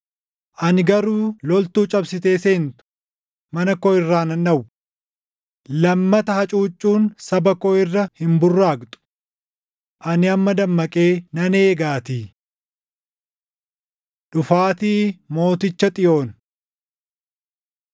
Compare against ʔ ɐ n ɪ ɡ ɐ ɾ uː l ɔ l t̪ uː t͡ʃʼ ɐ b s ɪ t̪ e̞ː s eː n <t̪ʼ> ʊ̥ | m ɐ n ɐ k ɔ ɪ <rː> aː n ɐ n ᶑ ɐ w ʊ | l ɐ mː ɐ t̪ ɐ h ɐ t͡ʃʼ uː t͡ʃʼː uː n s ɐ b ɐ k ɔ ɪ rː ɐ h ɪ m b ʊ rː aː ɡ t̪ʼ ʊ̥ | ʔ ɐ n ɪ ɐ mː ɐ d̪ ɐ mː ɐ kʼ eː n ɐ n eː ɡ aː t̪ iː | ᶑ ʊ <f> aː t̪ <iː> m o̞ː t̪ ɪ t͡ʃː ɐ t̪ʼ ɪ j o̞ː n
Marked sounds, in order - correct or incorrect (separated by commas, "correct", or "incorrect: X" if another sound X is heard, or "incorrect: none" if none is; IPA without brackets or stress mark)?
incorrect: t̪, correct, correct, correct